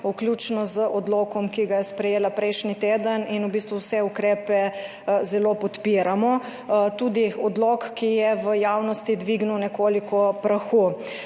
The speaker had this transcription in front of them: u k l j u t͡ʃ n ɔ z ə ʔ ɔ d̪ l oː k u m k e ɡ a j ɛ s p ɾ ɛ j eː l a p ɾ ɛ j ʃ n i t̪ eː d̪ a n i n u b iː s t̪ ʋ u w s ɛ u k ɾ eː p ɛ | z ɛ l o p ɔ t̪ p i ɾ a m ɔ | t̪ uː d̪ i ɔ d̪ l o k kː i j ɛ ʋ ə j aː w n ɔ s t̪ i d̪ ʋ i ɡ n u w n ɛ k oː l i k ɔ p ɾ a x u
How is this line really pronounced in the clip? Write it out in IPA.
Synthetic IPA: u k l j u t͡ʃ n ɔ z ə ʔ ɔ d̪ l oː k ɔ m k i ɡ a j ɛ s p ɾ ɛ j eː l a p ɾ ɛ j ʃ n i t̪ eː d̪ ə n i n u b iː s t̪ ʋ u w s ɛ u k ɾ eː p ɛ | z ɛ l o p ɔ t̪ p i ɾ a m ɔ | t̪ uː d̪ i ɔ d̪ l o k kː i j ɛ ʋ ə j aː w n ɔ s t̪ i d̪ ʋ i ɡ n u w n ɛ k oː l i k ɔ p ɾ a x u